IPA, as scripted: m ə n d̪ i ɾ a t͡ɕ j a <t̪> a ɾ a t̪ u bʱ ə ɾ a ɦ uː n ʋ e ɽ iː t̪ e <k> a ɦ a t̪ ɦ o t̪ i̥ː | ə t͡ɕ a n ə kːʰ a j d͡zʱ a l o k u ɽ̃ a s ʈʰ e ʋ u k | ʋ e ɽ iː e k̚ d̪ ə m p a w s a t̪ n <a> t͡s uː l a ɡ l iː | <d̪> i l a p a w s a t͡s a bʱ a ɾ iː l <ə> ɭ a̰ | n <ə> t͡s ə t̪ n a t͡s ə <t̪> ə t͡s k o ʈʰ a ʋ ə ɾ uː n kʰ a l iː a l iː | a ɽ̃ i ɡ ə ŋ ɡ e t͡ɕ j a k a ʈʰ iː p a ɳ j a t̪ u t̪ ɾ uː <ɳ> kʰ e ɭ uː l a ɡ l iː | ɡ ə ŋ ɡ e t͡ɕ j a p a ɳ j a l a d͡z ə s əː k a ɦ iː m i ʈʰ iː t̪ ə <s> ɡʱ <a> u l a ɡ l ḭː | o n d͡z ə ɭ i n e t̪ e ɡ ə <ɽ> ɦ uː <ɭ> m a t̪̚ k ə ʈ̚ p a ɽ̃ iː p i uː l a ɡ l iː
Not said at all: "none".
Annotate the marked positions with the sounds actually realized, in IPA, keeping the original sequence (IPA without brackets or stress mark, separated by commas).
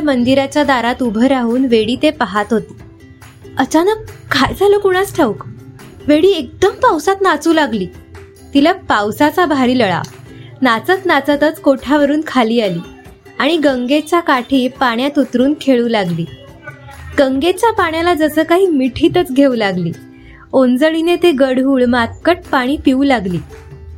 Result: d̪, p, a, t̪, ə, a, t̪, n, t͡s, e, ɽ, ɭ